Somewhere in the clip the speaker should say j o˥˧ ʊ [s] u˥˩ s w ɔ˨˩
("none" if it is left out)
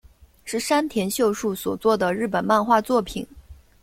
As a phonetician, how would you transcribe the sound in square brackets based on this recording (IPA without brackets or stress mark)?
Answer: ʂ